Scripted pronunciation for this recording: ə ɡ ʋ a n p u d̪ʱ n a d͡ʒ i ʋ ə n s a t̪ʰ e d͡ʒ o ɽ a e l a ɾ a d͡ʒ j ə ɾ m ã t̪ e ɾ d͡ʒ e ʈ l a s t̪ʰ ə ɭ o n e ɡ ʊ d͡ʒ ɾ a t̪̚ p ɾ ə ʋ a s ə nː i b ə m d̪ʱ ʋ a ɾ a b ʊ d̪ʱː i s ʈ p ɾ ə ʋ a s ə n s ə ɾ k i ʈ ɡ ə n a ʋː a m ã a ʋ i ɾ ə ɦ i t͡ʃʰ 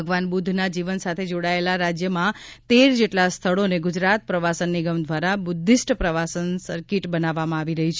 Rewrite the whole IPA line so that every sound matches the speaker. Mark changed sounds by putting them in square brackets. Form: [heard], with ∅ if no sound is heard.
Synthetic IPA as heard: ə ɡ ʋ a n [b] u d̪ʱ n a d͡ʒ i ʋ ə n s a t̪ʰ e d͡ʒ o ɽ a e l a ɾ a d͡ʒ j ə [∅] m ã t̪ e ɾ d͡ʒ e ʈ l a s t̪ʰ ə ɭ o n e ɡ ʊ d͡ʒ ɾ a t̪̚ p ɾ ə ʋ a s ə nː i [ɡ] ə m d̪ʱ ʋ a ɾ a b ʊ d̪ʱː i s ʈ p ɾ ə ʋ a s ə n s ə ɾ k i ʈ [b] ə n a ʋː a m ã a ʋ i ɾ ə ɦ i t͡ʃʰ

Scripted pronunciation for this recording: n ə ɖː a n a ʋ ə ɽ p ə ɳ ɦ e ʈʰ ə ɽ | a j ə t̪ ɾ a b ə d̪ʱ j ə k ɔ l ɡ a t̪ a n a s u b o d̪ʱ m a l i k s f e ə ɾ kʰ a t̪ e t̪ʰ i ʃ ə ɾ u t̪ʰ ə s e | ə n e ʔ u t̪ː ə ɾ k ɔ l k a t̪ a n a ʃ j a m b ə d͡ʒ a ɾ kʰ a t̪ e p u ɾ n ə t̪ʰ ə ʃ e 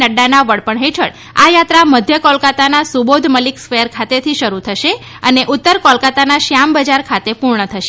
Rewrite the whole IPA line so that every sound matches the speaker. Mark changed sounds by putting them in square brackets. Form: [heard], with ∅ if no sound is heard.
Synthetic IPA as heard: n ə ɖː a n a ʋ ə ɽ p ə ɳ ɦ e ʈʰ ə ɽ | a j [a] t̪ ɾ a [m] ə d̪ʱ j ə k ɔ l [k] a t̪ a n a s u b o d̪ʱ m [ə] l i k s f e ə ɾ kʰ a t̪ e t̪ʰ i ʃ ə ɾ u t̪ʰ ə [ʃ] e | ə n e ʔ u t̪ː ə ɾ k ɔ l k a t̪ a n a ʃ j a m b ə d͡ʒ a ɾ kʰ a t̪ e p u ɾ [ɳ] ə t̪ʰ ə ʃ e

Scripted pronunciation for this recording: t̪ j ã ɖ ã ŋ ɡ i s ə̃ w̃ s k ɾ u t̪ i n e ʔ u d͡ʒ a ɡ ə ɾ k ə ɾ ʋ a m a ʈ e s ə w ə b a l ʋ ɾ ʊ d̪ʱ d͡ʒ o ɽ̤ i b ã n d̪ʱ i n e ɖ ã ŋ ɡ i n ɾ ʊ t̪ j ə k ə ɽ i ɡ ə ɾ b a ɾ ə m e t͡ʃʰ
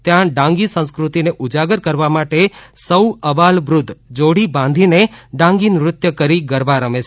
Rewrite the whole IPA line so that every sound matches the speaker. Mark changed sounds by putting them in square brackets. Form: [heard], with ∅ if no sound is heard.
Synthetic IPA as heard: t̪ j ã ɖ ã ŋ ɡ i s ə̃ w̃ s k ɾ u t̪ i n e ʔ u d͡ʒ a ɡ ə ɾ k ə ɾ ʋ a m a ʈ e s ə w ə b a l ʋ ɾ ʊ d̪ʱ d͡ʒ o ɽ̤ i b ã n d̪ʱ i n e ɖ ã ŋ ɡ i n ɾ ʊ t̪ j ə k ə [ɾ] i ɡ ə ɾ b a ɾ ə m e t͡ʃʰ

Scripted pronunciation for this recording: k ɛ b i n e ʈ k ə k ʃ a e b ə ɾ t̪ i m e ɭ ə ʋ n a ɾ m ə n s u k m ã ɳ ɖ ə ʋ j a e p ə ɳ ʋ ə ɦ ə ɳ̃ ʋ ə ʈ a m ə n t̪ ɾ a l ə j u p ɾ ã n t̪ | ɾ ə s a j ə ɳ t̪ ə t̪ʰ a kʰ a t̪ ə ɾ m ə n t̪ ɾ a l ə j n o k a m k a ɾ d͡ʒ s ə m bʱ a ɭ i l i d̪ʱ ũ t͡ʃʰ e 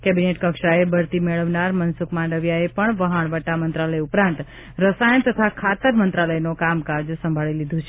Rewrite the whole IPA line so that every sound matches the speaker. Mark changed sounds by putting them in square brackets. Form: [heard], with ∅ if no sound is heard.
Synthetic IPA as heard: k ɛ b i n e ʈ k ə k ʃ a e b ə ɾ t̪ i m e ɭ ə ʋ n a ɾ m ə n s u k m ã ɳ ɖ ə ʋ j a e p ə ɳ ʋ ə ɦ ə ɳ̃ ʋ ə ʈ a m ə n t̪ ɾ a l ə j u p ɾ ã n t̪ | ɾ ə s a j ə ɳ t̪ ə t̪ʰ a kʰ a t̪ ə ɾ m ə n t̪ ɾ a l ə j n o k a m k a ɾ d͡ʒ s ə m bʱ a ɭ i l i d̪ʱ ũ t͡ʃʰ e

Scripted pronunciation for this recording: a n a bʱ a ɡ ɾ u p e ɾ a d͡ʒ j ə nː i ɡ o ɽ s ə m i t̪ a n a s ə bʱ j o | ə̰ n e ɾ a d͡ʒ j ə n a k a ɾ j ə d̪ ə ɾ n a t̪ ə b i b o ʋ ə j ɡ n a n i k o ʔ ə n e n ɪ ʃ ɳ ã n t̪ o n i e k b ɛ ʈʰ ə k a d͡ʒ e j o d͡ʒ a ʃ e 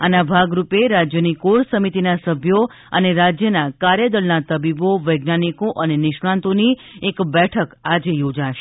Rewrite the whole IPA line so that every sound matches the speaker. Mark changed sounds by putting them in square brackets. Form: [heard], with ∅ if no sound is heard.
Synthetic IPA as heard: a n a bʱ a ɡ ɾ u p e ɾ a d͡ʒ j ə [n] i [k] o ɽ s ə m i t̪ [i] n a s ə bʱ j o | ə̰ n e ɾ a d͡ʒ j ə n a k a ɾ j ə d̪ ə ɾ n a t̪ ə b i b o ʋ ə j ɡ n a n i k o ʔ ə n e n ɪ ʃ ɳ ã n t̪ o n i e k b ɛ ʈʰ ə k a d͡ʒ e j o d͡ʒ a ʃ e

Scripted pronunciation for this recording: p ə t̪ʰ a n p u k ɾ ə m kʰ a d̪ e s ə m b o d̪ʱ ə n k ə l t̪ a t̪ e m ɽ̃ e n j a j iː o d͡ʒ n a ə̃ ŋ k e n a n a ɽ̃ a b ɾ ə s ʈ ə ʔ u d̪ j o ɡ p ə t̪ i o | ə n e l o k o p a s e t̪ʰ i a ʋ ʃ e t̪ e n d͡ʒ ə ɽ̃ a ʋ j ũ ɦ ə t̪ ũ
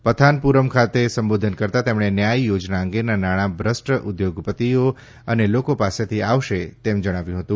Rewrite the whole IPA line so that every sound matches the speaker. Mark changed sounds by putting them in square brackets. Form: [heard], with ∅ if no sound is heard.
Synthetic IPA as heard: p ə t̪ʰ a n p u [∅] ɾ ə m kʰ a [t̪] e s ə m b o d̪ʱ ə n k ə [ɾ] t̪ a t̪ e m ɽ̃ e n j a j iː o d͡ʒ n a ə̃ ŋ [ɡ] e n a n a ɽ̃ a b ɾ ə s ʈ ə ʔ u d̪ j o ɡ p ə t̪ i o | ə n e l o k o p a s e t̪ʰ i a ʋ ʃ e t̪ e [m] d͡ʒ ə ɽ̃ a ʋ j ũ ɦ ə t̪ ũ

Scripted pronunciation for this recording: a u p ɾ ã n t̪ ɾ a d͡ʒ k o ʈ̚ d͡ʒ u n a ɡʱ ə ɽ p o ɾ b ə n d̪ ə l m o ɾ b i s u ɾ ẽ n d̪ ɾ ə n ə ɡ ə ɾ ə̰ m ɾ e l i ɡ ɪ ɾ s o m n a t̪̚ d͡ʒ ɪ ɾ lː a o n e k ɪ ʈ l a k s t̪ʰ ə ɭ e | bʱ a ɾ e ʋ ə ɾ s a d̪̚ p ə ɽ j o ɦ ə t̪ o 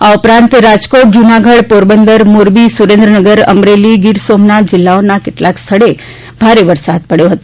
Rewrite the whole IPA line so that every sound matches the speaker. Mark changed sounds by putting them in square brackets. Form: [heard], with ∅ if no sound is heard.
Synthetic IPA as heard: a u p ɾ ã n t̪ ɾ a d͡ʒ k o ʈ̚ d͡ʒ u n a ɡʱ ə ɽ p o ɾ b ə n d̪ ə [ɾ] m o ɾ b i s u ɾ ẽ n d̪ ɾ ə n ə ɡ ə ɾ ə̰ m ɾ e l i ɡ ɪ ɾ s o m n a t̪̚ d͡ʒ ɪ [∅] lː a o n [a] k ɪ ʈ l a k s t̪ʰ ə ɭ e | bʱ a ɾ e ʋ ə ɾ s a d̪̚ p ə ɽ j o ɦ ə t̪ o

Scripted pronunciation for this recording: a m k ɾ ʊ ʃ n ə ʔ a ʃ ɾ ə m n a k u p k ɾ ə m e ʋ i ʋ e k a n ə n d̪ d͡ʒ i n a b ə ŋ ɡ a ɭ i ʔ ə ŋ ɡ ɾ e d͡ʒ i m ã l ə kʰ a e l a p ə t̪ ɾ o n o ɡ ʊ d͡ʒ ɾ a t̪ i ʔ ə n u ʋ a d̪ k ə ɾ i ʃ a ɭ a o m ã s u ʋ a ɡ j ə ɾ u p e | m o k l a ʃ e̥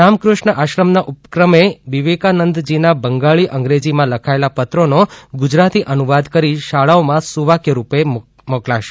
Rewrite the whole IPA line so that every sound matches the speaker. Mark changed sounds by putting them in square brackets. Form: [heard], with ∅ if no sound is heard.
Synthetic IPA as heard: a m k ɾ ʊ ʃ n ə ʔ a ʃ ɾ ə m n a [ʔ] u p k ɾ ə m e ʋ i ʋ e k a n ə n d̪ d͡ʒ i n a b ə ŋ ɡ a ɭ i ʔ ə ŋ ɡ ɾ e d͡ʒ i m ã l ə kʰ a e l a p ə t̪ ɾ o n o ɡ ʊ d͡ʒ ɾ a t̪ i ʔ ə n u ʋ a d̪ k ə ɾ i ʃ a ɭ a o m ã s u ʋ a [k] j ə ɾ u p e | m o k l a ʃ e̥

